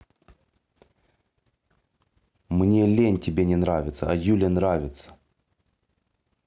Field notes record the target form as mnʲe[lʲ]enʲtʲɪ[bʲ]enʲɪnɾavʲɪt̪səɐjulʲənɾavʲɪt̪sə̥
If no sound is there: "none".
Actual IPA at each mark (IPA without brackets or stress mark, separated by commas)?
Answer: lʲ, bʲ